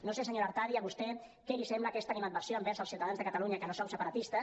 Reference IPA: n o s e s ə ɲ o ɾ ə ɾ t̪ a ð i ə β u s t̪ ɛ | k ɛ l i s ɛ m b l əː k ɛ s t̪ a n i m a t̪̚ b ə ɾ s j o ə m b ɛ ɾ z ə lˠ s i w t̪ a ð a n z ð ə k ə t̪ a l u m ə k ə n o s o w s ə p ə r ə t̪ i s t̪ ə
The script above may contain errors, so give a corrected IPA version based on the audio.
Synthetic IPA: n o s e s ə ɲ o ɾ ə ɾ t̪ a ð i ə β u s t̪ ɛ | k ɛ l i s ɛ m b l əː k ɛ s t̪ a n i m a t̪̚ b ə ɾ s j o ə m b ɛ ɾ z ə lˠ s i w t̪ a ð a n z ð ə k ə t̪ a l u ɲ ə k ə n o s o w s ə p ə ɾ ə t̪ i s t̪ ə

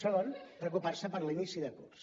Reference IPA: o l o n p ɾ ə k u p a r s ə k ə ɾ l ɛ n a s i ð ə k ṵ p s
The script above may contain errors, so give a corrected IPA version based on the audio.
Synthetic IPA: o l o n p ɾ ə k u p a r s ə p ə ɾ l i n i s i ð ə k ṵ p s

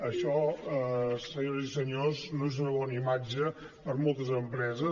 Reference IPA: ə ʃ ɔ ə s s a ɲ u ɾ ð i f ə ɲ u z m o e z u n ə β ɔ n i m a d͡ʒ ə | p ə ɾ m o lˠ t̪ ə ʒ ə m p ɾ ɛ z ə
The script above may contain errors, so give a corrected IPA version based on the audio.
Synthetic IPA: ə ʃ ɔ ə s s ə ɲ o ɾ z i s ə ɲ o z n o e z u n ə β ɔ n i m a d͡ʒ ə | p ə ɾ m o lˠ t̪ ə z ə m p ɾ ɛ z ə

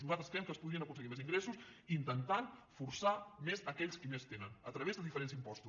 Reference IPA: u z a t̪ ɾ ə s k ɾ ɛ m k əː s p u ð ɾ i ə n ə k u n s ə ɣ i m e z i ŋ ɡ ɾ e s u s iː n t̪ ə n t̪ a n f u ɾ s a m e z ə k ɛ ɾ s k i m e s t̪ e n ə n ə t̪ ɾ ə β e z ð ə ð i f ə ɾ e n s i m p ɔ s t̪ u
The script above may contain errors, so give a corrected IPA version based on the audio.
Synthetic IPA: u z a t̪ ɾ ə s k ɾ ɛ m k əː s p u ð ɾ i ə n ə k u n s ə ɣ i m e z i ŋ ɡ ɾ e s u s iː n t̪ ə n t̪ a n f u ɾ s a m e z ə k ɛ ʎ s k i m e s t̪ e n ə n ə t̪ ɾ ə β e z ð ə ð i f ə ɾ e n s i m p ɔ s t̪ u

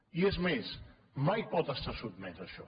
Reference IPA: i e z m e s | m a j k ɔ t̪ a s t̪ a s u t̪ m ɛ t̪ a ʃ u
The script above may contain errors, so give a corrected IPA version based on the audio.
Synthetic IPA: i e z m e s | m a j p ɔ t̪ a s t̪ a s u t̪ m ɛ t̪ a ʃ ɔ

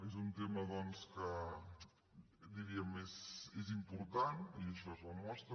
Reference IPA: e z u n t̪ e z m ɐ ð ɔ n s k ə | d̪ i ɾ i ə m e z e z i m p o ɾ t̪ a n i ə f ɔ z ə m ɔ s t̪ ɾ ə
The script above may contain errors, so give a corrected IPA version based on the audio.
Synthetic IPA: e z u n t̪ e m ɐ ð ɔ n s k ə | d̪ i ɾ i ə m e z e z i m p u ɾ t̪ a n i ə ʃ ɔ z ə m ɔ s t̪ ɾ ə

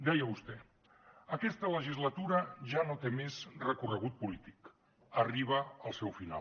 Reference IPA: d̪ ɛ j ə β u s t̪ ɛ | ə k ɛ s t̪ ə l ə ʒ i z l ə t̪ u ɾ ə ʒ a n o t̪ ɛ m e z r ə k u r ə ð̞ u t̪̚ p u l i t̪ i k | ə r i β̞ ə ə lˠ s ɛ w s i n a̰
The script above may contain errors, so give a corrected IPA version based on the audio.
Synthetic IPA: d̪ ɛ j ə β u s t̪ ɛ | ə k ɛ s t̪ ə l ə ʒ i z l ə t̪ u ɾ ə ʒ a n o t̪ e m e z r ə k u r ə ɣ̞ u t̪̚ p u l i t̪ i k | ə r i β̞ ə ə lˠ s ɛ w f i n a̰

